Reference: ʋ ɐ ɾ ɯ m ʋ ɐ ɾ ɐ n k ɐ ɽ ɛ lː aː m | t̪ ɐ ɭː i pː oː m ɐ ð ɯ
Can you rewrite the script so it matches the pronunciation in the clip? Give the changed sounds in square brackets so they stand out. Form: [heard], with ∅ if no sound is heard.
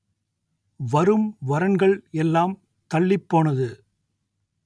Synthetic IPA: ʋ ɐ ɾ ɯ m ʋ ɐ ɾ ɐ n [ɡ] ɐ [ɭ] ɛ lː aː m | t̪ ɐ ɭː [ɪ] pː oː [n] ɐ ð ɯ